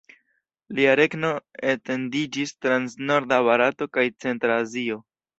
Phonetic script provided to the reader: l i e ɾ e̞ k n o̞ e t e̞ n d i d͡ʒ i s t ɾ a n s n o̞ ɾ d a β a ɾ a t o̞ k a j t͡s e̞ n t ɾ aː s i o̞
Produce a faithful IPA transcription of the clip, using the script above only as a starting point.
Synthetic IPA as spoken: l i a ɾ e̞ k n o̞ e t e̞ n d i d͡ʒ i s t ɾ a n s n o̞ ɾ d a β a ɾ a t o̞ k a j t͡s e̞ n t ɾ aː z i o̞